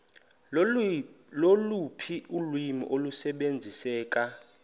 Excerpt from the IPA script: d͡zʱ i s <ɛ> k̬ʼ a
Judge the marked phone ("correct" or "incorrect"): incorrect